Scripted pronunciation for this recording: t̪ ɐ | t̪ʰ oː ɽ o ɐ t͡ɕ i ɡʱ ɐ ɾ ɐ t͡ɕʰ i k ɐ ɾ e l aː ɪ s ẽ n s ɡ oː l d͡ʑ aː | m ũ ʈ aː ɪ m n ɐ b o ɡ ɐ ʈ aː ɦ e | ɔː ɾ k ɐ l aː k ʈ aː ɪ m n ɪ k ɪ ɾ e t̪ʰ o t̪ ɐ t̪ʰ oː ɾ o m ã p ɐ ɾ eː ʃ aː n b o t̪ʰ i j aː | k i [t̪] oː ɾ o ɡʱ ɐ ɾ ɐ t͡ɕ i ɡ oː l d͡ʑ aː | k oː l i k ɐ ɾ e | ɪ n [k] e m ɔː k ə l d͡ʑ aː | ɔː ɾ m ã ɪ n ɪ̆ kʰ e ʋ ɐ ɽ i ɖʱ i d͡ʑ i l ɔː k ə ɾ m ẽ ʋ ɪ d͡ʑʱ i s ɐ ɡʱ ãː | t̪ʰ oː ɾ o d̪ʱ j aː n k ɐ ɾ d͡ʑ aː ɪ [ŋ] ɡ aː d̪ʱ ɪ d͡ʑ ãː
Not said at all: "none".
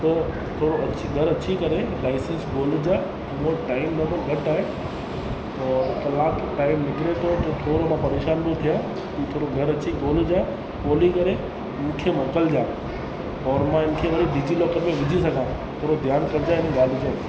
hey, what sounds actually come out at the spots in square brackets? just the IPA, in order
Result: t̪ʰ, kʰ, n

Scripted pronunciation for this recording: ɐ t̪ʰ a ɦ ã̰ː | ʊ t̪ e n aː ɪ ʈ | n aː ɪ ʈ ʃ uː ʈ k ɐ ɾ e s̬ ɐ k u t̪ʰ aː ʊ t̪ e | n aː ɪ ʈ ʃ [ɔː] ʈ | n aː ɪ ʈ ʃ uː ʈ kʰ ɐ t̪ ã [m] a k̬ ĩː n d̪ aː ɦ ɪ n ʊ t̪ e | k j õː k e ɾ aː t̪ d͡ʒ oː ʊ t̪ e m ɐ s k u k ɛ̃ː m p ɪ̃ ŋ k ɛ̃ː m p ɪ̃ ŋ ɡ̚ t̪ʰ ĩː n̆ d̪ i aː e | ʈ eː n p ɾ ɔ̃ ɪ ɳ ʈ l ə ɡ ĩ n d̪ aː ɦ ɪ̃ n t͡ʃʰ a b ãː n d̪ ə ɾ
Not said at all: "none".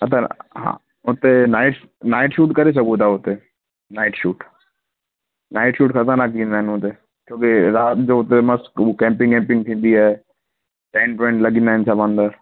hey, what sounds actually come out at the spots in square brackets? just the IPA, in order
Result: uː, n

